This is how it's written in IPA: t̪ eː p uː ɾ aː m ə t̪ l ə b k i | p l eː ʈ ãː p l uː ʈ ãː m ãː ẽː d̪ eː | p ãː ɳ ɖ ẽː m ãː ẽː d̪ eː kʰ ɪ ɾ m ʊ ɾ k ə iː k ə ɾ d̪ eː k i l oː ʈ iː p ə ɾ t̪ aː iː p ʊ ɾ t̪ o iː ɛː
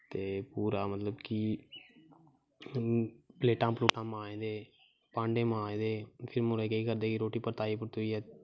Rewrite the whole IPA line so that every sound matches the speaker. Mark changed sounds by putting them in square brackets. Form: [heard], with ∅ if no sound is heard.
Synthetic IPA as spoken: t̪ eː p uː ɾ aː m ə t̪ l ə b k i | p l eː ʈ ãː p l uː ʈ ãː m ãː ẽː d̪ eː | p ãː ɳ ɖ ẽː m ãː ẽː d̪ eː [pʰ] ɪ ɾ m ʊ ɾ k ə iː k ə ɾ d̪ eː k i [ɾ] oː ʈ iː p ə ɾ t̪ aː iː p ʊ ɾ t̪ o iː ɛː